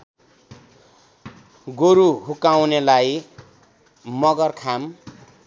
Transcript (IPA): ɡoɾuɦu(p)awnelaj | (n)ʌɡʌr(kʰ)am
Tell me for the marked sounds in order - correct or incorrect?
incorrect: k, incorrect: m, correct

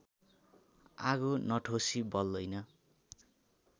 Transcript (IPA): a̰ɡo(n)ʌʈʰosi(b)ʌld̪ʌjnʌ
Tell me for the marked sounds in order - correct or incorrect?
correct, correct

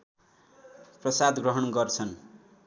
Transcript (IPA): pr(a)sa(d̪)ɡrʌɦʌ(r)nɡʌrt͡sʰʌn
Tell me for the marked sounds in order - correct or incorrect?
incorrect: ʌ, correct, incorrect: none

